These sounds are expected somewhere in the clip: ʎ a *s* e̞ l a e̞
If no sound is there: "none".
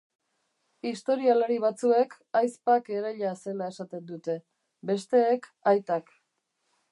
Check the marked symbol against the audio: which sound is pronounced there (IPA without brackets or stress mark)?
s